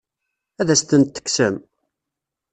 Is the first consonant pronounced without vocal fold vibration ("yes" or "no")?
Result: no